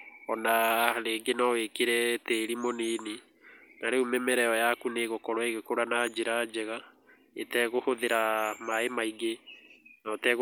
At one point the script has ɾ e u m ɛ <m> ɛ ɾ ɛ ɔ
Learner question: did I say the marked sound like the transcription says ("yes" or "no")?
yes